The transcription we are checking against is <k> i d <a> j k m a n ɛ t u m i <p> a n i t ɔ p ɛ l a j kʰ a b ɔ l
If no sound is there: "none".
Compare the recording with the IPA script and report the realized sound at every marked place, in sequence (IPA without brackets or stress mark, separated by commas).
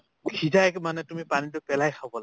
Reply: kʰ, a, p